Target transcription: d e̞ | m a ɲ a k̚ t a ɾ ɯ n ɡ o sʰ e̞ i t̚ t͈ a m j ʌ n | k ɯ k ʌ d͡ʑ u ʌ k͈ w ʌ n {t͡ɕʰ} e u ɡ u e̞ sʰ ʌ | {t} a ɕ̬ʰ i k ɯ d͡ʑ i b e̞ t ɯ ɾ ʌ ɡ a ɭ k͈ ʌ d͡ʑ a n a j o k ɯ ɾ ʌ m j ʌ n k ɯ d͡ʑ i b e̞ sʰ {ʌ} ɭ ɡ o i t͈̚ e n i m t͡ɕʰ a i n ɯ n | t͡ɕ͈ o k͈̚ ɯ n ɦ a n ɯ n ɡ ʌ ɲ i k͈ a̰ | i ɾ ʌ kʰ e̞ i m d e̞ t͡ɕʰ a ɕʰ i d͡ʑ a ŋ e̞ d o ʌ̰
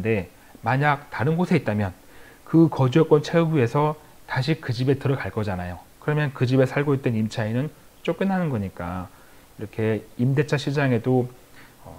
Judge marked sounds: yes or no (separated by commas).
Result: yes, yes, no